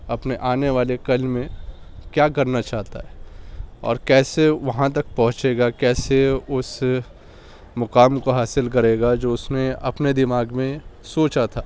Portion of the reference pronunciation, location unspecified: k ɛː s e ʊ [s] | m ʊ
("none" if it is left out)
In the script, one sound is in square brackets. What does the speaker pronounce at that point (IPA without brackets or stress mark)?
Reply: s